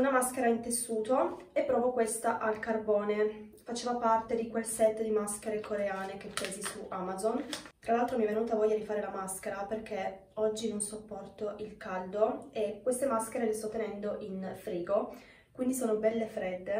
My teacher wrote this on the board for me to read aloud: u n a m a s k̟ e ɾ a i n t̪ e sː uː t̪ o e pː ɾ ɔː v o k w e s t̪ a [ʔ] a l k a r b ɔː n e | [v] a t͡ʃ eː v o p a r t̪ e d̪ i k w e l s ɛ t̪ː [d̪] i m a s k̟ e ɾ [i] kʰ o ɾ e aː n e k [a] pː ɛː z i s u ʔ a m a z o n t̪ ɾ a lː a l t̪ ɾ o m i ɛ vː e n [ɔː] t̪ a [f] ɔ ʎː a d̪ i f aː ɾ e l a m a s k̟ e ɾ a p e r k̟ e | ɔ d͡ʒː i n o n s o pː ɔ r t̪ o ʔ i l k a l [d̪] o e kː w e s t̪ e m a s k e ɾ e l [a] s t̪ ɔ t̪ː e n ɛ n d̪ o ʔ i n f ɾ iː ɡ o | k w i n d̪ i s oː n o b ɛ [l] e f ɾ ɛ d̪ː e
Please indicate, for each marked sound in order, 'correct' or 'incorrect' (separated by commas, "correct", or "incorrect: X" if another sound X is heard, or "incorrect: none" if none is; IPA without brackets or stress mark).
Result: correct, incorrect: f, correct, incorrect: e, incorrect: e, incorrect: uː, incorrect: v, correct, incorrect: e, incorrect: lː